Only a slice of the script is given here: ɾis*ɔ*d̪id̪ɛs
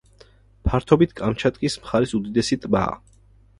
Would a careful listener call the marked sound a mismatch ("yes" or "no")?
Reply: yes